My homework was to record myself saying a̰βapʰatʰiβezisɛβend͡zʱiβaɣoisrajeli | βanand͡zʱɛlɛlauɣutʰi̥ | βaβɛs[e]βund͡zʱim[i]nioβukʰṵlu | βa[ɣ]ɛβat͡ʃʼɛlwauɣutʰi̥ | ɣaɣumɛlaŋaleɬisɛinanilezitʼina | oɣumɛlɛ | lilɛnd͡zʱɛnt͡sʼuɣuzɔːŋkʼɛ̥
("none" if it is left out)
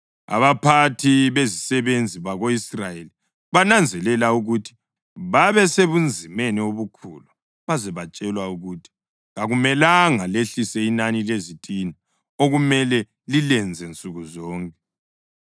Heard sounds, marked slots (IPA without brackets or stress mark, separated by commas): e, e, z